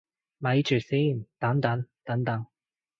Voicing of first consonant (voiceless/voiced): voiced